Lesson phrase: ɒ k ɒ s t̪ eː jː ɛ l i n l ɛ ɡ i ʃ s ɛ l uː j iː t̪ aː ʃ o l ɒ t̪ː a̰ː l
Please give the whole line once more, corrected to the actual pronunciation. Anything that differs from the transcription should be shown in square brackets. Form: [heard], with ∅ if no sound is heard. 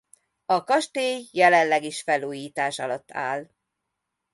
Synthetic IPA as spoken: ɒ k ɒ [ʃ] t̪ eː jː ɛ l [ɛ] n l ɛ ɡ i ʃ [f] ɛ l uː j iː t̪ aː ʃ [ɒ] l ɒ t̪ː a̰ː l